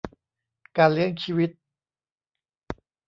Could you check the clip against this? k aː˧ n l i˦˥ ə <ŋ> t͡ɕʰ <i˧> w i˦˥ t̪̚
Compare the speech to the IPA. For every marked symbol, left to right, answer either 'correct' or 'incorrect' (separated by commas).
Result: correct, incorrect